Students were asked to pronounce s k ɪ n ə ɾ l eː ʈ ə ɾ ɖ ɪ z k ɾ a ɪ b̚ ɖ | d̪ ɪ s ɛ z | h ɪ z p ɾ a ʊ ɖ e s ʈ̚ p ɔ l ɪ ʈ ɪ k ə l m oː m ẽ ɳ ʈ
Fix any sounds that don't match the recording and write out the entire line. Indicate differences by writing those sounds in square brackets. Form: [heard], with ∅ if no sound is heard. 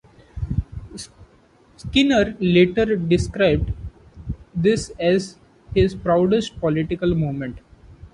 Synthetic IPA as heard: s k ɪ n ə ɾ l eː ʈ ə ɾ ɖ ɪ [s] k ɾ a ɪ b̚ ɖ | d̪ ɪ s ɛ z | h ɪ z p ɾ a ʊ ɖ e s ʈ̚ p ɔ l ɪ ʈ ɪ k ə l m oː m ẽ ɳ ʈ